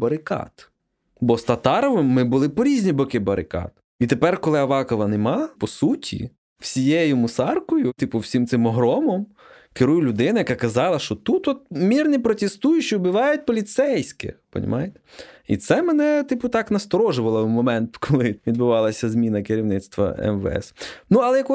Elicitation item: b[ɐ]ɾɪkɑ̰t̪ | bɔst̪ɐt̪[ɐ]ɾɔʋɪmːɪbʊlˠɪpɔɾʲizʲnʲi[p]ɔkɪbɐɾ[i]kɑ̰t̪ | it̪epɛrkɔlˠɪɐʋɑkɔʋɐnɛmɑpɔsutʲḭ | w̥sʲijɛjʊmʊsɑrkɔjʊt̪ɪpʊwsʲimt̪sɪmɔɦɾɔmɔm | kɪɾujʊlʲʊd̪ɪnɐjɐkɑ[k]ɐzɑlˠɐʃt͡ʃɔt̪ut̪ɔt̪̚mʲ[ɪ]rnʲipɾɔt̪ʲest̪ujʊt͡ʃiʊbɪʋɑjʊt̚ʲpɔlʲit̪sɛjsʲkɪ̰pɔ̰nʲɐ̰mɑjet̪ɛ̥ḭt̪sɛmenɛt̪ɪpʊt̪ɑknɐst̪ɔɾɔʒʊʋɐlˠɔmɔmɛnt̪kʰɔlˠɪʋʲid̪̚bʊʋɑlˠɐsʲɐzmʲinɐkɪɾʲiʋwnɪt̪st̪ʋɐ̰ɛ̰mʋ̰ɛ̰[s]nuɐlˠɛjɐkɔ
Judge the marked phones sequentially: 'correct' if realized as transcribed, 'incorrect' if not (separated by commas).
correct, incorrect, incorrect, incorrect, correct, incorrect, correct